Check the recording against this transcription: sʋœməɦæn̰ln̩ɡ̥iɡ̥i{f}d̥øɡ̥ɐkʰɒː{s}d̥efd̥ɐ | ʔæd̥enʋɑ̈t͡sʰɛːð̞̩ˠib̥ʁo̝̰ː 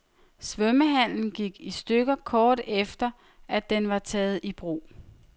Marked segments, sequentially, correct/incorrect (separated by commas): incorrect, incorrect